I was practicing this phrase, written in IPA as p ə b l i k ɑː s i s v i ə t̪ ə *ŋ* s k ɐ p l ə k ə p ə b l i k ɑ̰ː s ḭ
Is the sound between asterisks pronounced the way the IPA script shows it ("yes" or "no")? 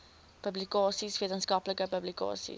no